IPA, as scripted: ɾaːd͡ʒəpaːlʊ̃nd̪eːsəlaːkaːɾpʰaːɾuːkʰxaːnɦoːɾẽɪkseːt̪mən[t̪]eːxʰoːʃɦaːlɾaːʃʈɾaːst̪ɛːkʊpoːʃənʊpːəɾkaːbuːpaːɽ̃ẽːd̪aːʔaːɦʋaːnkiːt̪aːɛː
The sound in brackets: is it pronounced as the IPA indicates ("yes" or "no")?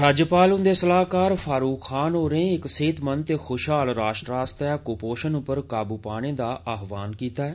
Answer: yes